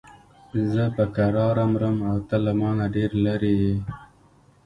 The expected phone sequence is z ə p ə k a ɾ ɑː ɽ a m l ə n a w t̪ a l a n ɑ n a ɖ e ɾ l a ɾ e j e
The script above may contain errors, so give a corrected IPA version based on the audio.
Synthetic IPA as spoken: z ə p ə k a ɾ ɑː ɾ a m ɾ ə m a w t̪ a l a m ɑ n a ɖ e ɾ l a ɾ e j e